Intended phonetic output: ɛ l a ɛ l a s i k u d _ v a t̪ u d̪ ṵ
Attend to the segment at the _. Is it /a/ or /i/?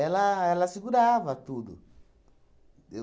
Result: a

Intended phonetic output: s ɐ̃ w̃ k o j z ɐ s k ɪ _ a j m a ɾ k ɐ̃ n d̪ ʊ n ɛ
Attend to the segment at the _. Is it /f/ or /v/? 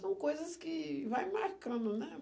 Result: v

